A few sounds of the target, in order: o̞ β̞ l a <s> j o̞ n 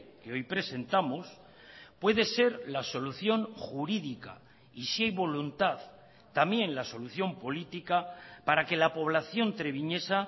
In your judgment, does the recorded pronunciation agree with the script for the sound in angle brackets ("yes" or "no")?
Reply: no